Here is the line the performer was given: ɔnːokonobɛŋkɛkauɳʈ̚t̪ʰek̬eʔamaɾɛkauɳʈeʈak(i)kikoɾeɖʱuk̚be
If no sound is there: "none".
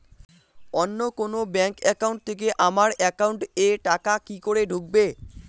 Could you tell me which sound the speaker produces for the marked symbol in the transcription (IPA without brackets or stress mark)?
a